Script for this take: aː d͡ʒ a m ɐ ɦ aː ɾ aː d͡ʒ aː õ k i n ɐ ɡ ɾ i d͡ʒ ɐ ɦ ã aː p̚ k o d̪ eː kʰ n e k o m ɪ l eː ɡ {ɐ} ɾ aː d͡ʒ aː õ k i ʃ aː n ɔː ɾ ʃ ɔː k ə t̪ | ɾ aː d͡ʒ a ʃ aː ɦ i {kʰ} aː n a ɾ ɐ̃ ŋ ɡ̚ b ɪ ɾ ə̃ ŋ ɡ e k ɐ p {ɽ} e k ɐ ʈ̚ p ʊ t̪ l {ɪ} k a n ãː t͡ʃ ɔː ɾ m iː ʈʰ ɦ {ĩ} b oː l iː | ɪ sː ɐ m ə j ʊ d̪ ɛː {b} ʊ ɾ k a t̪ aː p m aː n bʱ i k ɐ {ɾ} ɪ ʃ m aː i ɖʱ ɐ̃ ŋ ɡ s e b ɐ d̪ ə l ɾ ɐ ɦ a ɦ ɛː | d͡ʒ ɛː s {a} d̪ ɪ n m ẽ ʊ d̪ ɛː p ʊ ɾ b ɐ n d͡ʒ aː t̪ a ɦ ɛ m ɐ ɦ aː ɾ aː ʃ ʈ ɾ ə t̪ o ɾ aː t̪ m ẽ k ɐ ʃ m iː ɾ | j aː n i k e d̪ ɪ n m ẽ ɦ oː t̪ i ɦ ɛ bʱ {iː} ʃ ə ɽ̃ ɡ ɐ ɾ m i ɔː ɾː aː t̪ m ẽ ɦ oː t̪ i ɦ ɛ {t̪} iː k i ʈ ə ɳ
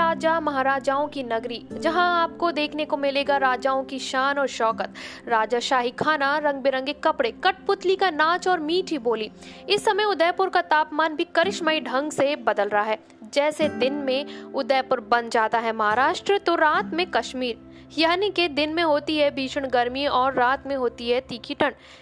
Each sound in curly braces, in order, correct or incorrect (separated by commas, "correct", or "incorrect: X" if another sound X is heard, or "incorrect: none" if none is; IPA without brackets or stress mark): incorrect: a, correct, correct, incorrect: i, incorrect: i, incorrect: p, correct, incorrect: e, correct, correct